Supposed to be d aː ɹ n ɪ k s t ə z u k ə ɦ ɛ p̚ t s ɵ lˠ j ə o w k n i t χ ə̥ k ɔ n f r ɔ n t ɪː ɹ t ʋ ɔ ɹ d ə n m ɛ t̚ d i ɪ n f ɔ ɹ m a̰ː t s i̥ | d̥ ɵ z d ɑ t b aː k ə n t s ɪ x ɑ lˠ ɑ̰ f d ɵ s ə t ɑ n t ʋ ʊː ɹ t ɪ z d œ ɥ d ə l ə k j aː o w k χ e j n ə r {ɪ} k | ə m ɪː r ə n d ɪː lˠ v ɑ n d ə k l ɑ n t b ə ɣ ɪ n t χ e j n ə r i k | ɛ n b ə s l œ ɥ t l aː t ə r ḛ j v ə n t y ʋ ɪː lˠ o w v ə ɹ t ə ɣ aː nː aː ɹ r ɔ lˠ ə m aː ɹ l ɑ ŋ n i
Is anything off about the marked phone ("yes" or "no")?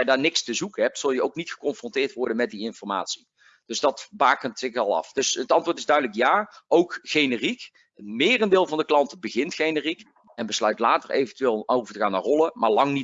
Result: yes